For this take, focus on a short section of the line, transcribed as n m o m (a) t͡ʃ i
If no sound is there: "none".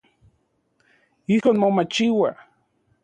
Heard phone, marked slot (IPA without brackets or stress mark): a